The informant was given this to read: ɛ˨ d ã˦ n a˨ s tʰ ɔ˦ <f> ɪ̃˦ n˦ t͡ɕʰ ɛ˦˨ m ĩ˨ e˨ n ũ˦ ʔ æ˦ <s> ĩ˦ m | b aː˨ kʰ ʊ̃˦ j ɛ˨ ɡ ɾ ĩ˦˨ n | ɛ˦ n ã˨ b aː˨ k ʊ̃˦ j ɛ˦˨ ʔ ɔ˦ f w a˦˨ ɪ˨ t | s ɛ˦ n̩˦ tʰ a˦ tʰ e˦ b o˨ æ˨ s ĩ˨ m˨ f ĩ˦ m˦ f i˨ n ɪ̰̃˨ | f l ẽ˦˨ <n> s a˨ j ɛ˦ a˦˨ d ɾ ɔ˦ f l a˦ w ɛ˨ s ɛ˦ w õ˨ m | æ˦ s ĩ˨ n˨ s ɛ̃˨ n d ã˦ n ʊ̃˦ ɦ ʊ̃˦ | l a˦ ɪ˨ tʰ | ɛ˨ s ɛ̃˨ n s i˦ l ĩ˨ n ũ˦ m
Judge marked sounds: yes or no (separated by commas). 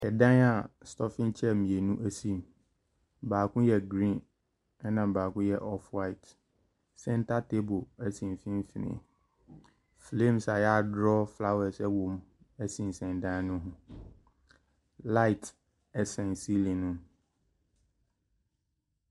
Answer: yes, yes, no